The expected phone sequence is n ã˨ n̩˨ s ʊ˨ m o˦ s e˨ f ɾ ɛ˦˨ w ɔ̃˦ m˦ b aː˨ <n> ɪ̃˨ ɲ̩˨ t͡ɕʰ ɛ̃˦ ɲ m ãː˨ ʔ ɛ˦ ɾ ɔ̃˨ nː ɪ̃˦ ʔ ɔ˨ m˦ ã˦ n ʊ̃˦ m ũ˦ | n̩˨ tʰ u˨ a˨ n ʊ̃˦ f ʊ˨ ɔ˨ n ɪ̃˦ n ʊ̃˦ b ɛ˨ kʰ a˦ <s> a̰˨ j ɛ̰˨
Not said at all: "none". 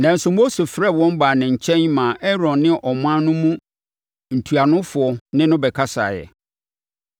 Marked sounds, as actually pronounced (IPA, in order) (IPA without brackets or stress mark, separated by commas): n, s